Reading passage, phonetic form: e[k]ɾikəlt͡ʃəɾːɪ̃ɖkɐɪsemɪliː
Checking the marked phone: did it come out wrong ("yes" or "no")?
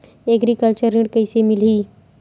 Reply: yes